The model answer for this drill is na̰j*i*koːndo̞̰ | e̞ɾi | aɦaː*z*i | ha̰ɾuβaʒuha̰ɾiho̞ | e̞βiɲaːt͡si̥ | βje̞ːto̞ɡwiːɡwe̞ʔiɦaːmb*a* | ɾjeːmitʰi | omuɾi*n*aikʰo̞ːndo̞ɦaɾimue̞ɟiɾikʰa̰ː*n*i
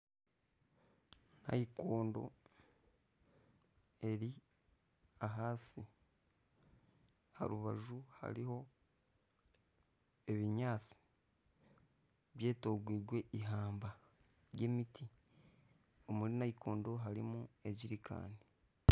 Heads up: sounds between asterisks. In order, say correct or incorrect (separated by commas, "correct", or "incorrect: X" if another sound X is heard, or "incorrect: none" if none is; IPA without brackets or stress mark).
correct, incorrect: s, correct, correct, correct